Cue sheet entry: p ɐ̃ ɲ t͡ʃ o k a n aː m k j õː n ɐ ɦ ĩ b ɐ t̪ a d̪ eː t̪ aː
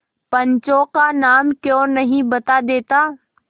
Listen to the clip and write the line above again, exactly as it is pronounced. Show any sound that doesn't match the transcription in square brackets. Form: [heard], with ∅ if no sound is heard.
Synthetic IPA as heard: p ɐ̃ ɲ t͡ʃ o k a n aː m k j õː n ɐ ɦ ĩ b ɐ t̪ a d̪ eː t̪ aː